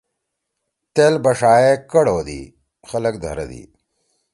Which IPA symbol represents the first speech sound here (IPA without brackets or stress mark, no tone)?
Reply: t̪